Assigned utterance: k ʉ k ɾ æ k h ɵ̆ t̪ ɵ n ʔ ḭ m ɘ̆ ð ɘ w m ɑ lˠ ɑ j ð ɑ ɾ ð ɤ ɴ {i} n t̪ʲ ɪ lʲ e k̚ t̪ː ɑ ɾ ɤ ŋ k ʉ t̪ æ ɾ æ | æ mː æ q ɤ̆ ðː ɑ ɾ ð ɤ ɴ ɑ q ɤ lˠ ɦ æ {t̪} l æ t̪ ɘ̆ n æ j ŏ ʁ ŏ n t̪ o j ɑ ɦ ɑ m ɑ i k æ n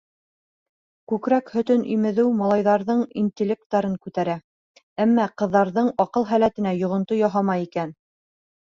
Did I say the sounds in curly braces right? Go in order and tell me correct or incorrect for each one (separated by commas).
correct, incorrect